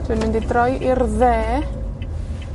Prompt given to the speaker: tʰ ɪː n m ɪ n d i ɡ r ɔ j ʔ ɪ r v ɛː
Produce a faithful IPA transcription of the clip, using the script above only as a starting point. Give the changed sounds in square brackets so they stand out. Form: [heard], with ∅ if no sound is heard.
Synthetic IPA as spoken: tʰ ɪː n m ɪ n d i [d] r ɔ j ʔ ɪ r [ð] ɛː